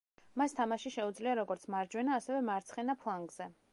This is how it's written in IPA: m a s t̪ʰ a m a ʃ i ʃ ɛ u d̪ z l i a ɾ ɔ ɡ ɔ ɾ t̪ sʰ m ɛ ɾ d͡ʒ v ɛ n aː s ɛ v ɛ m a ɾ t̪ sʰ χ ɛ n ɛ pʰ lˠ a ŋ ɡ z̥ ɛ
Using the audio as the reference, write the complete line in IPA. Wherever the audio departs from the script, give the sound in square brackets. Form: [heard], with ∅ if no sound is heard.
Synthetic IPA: m a s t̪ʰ a m a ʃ i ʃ ɛ u d̪ z l i a ɾ ɔ ɡ ɔ ɾ t̪ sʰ m [a] ɾ d͡ʒ [w] ɛ n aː s ɛ v ɛ m a ɾ t̪ sʰ χ ɛ n [a] pʰ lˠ a ŋ ɡ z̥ ɛ

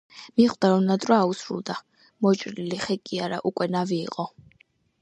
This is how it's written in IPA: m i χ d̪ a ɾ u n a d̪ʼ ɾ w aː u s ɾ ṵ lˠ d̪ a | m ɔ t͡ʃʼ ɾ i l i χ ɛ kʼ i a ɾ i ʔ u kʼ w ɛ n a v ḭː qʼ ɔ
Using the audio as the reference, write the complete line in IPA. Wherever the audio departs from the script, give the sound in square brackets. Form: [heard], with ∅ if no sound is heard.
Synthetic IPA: m i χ d̪ a ɾ [ɔ] n a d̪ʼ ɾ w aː u s ɾ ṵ lˠ d̪ a | m ɔ t͡ʃʼ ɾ i l i χ ɛ kʼ i a ɾ [a] ʔ u kʼ w ɛ n a v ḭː qʼ ɔ

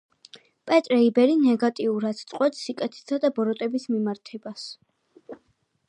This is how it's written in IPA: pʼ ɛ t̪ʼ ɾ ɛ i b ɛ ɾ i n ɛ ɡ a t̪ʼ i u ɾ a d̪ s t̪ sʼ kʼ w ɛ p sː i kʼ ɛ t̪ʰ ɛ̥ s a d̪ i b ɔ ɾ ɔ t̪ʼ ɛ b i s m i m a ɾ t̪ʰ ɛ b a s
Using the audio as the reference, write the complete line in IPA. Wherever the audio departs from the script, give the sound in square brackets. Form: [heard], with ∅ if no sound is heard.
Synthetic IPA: pʼ ɛ t̪ʼ ɾ ɛ i b ɛ ɾ i n ɛ ɡ a t̪ʼ i u ɾ a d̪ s t̪ sʼ [qʼ] w ɛ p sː i kʼ ɛ t̪ʰ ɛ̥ s a d̪ [a] b ɔ ɾ ɔ t̪ʼ ɛ b i s m i m a ɾ t̪ʰ ɛ b a s

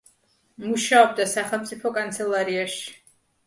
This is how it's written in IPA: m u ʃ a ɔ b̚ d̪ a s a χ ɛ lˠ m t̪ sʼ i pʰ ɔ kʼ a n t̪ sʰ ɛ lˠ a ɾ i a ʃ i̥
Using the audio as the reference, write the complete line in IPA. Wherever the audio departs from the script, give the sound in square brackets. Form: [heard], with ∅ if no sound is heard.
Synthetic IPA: m u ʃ a ɔ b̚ d̪ a s a χ ɛ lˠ m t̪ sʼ i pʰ ɔ kʼ a n t̪ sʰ ɛ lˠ a ɾ i a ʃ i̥

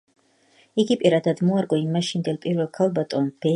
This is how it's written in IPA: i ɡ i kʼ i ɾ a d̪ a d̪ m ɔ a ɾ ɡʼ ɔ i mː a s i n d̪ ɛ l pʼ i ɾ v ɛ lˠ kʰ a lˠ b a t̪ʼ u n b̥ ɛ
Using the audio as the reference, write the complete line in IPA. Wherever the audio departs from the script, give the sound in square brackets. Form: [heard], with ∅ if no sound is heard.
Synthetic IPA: i ɡ i [pʼ] i ɾ a d̪ a d̪ m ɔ a ɾ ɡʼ ɔ i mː a [ʃ] i n d̪ ɛ l pʼ i ɾ v ɛ lˠ kʰ a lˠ b a t̪ʼ [ɔ] n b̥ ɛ

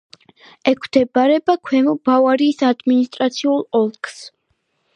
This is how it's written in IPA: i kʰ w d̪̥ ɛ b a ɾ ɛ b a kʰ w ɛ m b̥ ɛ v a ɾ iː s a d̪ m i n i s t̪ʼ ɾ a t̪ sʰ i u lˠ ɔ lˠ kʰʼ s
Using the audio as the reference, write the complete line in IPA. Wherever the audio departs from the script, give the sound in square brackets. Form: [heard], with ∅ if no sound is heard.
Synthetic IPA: [ɛ] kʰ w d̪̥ ɛ b a ɾ ɛ b a kʰ w ɛ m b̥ [a] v a ɾ iː s a d̪ m i n i s t̪ʼ ɾ a t̪ sʰ i u lˠ ɔ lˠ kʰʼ s

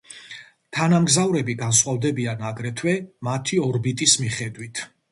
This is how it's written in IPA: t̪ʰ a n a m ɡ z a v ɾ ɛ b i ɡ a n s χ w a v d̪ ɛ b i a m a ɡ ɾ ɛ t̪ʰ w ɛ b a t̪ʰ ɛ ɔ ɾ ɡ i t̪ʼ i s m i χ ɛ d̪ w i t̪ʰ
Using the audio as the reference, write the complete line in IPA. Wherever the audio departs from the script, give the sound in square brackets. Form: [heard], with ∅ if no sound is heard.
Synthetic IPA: t̪ʰ a n a m ɡ z a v ɾ ɛ b i ɡ a n s χ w a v d̪ ɛ b i a [n] a ɡ ɾ ɛ t̪ʰ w ɛ [m] a t̪ʰ [i] ɔ ɾ [b] i t̪ʼ i s m i χ ɛ d̪ w i t̪ʰ

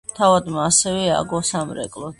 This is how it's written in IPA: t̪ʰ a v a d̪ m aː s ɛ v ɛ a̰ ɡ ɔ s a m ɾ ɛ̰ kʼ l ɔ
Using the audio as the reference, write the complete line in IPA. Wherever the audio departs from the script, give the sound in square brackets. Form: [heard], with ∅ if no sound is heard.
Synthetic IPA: t̪ʰ a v a d̪ m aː s ɛ v ɛ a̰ ɡ ɔ s a m ɾ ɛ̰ kʼ l ɔ

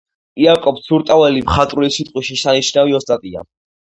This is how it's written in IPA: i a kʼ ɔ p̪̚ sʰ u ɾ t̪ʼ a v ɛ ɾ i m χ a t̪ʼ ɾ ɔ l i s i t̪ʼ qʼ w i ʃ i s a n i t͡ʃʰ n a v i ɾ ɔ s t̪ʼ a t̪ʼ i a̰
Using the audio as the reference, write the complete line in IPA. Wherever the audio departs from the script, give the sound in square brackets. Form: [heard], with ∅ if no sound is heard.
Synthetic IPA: i a kʼ ɔ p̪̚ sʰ u ɾ t̪ʼ a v ɛ [l] i m χ a t̪ʼ ɾ [u] l i s i t̪ʼ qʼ w i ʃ i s a n i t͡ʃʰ n a v i [∅] ɔ s t̪ʼ a t̪ʼ i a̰

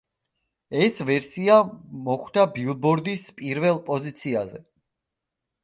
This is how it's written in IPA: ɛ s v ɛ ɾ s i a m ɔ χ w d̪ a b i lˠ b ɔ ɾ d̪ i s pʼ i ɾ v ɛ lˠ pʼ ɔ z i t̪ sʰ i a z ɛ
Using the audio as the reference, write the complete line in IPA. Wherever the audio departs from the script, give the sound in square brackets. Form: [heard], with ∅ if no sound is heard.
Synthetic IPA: ɛ s v ɛ ɾ s i a m ɔ χ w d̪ a b i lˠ b ɔ ɾ d̪ i s pʼ i ɾ v ɛ lˠ pʼ ɔ z i t̪ sʰ i a z ɛ

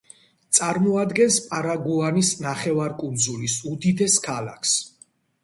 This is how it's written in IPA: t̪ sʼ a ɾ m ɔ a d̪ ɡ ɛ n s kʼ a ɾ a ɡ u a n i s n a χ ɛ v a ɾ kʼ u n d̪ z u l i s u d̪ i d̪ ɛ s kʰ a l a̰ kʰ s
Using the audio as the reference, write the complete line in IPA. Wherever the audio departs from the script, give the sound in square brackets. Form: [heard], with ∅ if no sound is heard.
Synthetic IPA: t̪ sʼ a ɾ m ɔ a d̪ ɡ ɛ n s [pʼ] a ɾ a ɡ u a n i s n a χ ɛ v a ɾ kʼ u n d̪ z u l i s u d̪ i d̪ ɛ s kʰ a l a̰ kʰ s

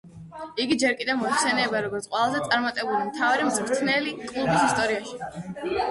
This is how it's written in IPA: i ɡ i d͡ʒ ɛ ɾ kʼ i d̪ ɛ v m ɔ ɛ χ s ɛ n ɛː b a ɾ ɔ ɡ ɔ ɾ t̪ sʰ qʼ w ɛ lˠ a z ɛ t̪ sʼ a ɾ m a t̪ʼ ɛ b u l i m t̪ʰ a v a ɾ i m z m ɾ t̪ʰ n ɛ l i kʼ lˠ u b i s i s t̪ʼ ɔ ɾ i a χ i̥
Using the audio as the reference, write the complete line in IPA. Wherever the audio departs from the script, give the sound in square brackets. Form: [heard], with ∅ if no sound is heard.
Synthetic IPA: i ɡ i d͡ʒ ɛ ɾ kʼ i d̪ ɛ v m ɔ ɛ χ s ɛ n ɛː b a ɾ ɔ ɡ ɔ ɾ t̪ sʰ qʼ w ɛ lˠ a z ɛ t̪ sʼ a ɾ m a t̪ʼ ɛ b u l i m t̪ʰ a v a ɾ i m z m ɾ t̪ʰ n ɛ l i kʼ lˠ u b i s i s t̪ʼ ɔ ɾ i a [ʃ] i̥

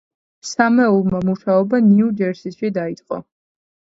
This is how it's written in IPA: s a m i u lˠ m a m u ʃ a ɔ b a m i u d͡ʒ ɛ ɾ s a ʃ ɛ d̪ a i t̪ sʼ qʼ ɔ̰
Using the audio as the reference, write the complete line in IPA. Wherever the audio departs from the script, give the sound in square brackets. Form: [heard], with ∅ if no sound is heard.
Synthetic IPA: s a m [ɛ] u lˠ m a m u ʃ a ɔ b a [n] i u d͡ʒ ɛ ɾ s [i] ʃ [i] d̪ a i t̪ sʼ qʼ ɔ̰

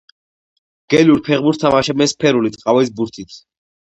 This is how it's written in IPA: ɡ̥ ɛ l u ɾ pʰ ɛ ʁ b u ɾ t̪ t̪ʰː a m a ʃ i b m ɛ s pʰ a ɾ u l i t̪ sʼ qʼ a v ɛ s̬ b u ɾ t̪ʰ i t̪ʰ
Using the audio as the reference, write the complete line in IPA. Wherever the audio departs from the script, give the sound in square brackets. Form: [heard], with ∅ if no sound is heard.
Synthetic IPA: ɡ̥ ɛ l u ɾ pʰ ɛ ʁ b u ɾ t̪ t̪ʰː a m a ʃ [ɛ] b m ɛ s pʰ [ɛ] ɾ u l i t̪ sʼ qʼ a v ɛ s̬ b u ɾ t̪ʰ i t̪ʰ

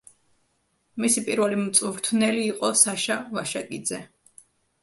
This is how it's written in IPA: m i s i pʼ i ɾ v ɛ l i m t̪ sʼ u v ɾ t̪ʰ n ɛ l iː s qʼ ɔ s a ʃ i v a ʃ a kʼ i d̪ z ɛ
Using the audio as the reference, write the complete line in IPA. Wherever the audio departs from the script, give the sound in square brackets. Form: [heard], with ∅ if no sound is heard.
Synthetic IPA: m i s i pʼ i ɾ v ɛ l i m t̪ sʼ u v ɾ t̪ʰ n ɛ l iː [∅] qʼ ɔ s a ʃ [a] v a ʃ a kʼ i d̪ z ɛ

